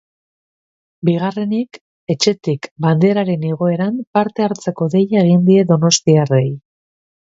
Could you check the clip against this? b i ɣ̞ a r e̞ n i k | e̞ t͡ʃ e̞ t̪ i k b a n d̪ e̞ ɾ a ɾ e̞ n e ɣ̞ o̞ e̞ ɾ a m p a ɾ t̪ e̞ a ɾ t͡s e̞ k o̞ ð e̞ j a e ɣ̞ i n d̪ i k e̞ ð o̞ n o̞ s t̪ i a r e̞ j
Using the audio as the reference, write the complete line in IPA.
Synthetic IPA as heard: b i ɣ̞ a r e̞ n i k | e̞ t͡ʃ e̞ t̪ i k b a n d̪ e̞ ɾ a ɾ e̞ n e ɣ̞ o̞ e̞ ɾ a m p a ɾ t̪ e̞ a ɾ t͡s e̞ k o̞ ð e̞ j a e ɣ̞ i n d̪ i e̞ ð o̞ n o̞ s t̪ i a r e̞ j